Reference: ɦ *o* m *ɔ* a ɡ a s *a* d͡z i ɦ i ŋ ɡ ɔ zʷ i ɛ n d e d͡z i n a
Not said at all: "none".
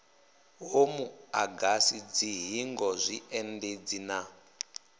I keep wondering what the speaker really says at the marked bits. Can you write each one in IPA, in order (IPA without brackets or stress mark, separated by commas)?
o, u, i